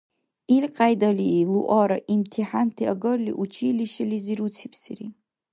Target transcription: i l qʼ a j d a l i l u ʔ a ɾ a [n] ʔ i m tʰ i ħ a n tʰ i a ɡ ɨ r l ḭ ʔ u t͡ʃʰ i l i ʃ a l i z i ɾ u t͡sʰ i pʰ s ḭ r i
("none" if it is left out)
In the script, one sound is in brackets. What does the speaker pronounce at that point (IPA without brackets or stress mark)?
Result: none